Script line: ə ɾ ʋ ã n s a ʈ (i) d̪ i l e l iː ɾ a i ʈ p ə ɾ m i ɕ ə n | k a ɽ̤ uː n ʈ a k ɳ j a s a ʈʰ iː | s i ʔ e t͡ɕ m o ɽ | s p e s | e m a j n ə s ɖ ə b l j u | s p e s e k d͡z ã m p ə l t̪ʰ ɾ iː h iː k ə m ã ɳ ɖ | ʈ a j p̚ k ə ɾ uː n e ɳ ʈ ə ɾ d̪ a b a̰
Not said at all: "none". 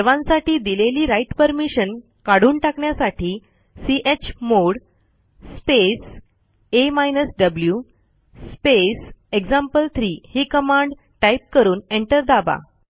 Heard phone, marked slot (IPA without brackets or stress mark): iː